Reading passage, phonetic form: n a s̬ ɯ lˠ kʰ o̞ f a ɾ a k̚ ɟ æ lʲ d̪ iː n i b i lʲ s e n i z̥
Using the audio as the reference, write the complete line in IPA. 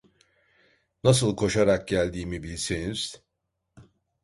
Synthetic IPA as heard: n a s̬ ɯ lˠ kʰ o̞ ʃ a ɾ a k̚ ɟ æ lʲ d̪ iː m i b i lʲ s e n i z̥